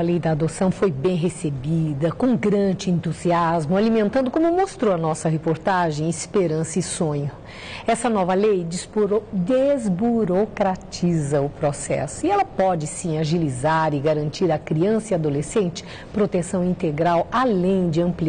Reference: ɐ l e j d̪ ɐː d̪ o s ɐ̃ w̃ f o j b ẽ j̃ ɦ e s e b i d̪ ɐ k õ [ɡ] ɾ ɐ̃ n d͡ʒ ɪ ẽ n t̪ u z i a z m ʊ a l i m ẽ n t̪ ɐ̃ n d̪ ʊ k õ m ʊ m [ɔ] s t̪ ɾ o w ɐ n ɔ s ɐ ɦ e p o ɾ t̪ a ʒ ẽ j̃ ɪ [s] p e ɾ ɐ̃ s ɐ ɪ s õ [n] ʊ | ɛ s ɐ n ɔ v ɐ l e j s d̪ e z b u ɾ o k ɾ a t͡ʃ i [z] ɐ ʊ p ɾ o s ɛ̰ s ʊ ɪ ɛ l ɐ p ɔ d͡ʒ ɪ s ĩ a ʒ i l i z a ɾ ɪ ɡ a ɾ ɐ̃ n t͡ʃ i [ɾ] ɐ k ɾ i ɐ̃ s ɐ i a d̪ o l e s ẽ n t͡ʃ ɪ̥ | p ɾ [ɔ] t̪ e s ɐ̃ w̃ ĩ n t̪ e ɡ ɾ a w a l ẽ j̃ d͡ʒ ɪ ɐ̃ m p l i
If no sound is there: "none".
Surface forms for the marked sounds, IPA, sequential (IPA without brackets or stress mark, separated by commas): ɡ, o, s, ɲ, z, ɾ, o